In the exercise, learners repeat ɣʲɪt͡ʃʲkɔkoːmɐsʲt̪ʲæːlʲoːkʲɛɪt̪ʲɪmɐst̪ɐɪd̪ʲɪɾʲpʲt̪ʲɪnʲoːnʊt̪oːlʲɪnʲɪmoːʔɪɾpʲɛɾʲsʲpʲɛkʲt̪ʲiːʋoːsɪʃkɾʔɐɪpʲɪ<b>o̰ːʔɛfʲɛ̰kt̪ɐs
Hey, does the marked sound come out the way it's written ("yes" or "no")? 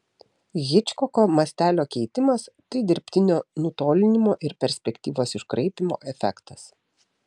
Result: no